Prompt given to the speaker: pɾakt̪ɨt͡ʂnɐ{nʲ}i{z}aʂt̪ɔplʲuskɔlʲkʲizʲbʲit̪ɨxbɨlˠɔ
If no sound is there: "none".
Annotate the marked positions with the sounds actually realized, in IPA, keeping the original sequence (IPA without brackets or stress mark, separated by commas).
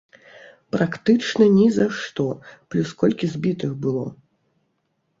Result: nʲ, z